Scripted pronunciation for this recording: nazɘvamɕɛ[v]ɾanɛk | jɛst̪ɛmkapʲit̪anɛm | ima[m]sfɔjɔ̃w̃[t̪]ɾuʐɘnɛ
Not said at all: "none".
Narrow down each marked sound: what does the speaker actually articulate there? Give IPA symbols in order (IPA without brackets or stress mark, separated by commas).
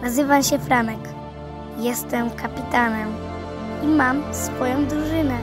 f, m, d̪